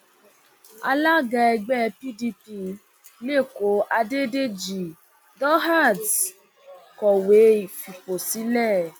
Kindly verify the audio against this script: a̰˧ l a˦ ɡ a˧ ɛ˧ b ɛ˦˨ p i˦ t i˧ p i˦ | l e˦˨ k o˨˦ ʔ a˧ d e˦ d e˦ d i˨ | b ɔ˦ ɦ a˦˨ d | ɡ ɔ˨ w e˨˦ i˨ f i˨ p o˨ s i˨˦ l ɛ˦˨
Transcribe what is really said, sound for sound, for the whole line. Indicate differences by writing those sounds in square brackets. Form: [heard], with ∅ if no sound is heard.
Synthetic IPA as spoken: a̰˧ l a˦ ɡ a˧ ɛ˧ [ɡ͡b] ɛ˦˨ p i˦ [d] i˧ p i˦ | l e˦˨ k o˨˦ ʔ a˧ d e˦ d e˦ [d͡ʒ] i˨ | [d] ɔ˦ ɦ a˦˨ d | [k] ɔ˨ w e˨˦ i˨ f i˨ p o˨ s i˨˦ l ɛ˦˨

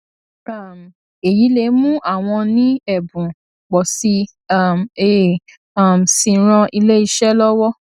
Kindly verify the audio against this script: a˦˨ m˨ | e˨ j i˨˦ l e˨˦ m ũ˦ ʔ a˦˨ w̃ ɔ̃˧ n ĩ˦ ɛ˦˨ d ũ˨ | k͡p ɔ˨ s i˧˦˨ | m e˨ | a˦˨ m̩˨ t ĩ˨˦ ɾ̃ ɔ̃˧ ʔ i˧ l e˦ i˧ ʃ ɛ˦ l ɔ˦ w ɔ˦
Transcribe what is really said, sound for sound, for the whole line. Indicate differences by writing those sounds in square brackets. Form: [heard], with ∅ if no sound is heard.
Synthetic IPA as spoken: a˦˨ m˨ | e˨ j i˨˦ l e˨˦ m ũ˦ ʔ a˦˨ w̃ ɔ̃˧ n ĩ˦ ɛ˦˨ [b] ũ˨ | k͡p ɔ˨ s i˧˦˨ | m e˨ | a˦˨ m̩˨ [s] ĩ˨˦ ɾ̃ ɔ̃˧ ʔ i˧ l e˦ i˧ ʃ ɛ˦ l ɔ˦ w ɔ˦

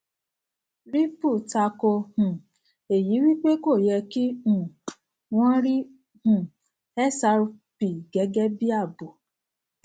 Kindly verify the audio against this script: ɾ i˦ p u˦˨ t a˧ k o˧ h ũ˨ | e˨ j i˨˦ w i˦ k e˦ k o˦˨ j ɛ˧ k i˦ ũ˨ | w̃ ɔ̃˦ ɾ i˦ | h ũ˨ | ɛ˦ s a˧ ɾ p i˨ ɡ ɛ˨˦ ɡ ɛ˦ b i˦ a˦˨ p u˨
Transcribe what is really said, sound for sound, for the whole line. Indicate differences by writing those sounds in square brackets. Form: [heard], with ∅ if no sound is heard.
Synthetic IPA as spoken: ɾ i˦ p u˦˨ t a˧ k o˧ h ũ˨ | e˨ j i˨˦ w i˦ [k͡p] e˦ k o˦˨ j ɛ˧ k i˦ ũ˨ | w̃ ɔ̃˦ ɾ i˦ | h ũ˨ | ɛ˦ s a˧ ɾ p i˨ ɡ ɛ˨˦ ɡ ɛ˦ b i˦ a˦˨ [b] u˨

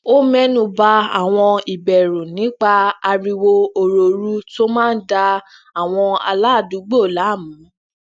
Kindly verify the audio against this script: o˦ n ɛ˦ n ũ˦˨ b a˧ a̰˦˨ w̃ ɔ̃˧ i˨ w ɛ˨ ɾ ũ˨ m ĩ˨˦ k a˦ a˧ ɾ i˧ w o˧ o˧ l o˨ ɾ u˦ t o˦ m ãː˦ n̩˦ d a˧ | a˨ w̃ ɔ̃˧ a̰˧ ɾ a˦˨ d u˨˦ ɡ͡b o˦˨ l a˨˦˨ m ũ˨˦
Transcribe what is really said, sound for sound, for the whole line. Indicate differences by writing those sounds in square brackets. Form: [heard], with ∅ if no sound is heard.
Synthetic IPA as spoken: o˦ [m] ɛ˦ n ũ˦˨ b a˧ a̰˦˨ w̃ ɔ̃˧ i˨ [b] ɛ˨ ɾ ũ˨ [n] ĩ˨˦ [k͡p] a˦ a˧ ɾ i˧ w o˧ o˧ [ɾ] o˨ ɾ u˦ t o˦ m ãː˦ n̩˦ d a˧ | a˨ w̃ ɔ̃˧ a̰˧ [l] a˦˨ d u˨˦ ɡ͡b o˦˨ l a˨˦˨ m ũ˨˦

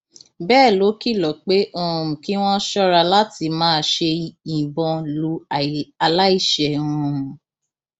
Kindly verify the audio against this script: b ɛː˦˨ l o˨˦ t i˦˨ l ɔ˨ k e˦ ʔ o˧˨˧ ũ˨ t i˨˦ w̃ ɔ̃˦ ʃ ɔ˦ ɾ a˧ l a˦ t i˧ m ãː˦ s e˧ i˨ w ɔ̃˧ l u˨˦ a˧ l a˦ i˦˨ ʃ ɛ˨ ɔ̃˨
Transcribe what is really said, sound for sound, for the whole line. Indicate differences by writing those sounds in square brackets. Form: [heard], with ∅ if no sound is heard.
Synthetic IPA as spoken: b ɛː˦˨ l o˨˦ [k] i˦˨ l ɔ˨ [k͡p] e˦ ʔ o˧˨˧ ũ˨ [k] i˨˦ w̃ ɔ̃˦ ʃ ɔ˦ ɾ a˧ l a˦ t i˧ m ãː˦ [ʃ] e˧ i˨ [b] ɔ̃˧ l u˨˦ a˧ l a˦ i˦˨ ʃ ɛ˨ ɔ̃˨

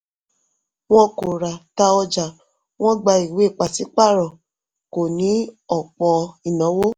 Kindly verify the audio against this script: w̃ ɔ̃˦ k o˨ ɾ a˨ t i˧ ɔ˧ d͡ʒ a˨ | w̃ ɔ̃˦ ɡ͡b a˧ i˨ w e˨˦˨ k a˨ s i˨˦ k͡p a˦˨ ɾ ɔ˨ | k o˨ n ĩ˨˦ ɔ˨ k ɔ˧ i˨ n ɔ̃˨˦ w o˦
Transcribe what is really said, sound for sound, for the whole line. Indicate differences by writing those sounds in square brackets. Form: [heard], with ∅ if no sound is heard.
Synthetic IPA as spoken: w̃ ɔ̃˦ k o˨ ɾ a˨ t [a˧] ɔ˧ d͡ʒ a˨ | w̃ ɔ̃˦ ɡ͡b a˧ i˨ w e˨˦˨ [k͡p] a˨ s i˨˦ k͡p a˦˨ ɾ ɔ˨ | k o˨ n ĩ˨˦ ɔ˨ [k͡p] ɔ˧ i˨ n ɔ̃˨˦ w o˦

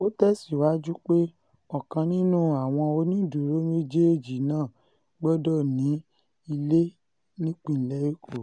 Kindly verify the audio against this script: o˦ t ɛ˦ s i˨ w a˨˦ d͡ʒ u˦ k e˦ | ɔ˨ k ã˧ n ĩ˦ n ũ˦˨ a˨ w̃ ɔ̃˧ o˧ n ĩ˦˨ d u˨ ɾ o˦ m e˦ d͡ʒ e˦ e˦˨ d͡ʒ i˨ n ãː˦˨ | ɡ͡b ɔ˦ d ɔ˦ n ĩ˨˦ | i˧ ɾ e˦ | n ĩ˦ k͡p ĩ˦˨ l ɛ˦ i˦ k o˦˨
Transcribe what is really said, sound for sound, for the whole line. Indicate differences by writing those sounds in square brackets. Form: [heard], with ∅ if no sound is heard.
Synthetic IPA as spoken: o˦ t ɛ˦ s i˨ w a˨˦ d͡ʒ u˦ [k͡p] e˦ | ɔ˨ k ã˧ n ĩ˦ n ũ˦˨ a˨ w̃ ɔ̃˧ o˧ n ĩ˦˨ d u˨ ɾ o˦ m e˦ d͡ʒ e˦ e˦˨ d͡ʒ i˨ n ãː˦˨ | ɡ͡b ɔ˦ d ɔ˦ n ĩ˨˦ | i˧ [l] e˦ | n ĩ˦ k͡p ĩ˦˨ l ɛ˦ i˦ k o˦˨

